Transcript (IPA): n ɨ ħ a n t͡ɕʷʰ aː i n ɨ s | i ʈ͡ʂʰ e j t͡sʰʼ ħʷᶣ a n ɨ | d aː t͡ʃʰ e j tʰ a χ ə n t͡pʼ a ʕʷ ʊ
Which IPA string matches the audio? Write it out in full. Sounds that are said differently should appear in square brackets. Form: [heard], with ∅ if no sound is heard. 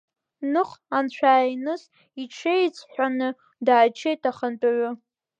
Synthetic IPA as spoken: n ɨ [χ] a n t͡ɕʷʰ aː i n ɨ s | i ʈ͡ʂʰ e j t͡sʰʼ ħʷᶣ a n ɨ | d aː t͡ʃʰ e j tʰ a χ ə n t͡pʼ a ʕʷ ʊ